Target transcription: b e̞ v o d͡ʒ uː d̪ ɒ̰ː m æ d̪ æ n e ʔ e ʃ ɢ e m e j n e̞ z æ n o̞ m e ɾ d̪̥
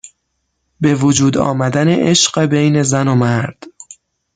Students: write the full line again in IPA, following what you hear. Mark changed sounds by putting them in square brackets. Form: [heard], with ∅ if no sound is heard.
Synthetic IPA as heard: b e̞ v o d͡ʒ uː d̪ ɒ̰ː m æ d̪ æ n e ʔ e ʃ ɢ e [b] e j n e̞ z æ n o̞ m [æ] ɾ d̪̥